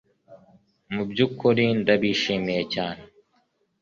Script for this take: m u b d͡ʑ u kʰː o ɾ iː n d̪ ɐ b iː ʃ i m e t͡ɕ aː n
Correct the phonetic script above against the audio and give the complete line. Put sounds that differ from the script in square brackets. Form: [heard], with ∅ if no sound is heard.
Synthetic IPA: m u b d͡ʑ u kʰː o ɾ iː n d̪ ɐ b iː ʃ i m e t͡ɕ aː n